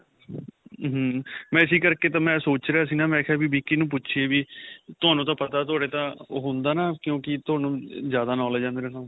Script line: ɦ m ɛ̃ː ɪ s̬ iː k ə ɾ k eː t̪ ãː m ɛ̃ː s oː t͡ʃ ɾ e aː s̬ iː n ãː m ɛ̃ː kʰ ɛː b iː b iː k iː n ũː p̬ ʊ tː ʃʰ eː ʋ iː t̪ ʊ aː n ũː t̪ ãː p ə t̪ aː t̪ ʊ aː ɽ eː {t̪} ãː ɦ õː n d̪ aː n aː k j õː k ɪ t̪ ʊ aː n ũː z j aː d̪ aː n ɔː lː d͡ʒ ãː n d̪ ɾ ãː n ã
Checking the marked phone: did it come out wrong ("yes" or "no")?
no